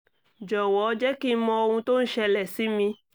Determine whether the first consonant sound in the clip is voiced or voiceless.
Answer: voiced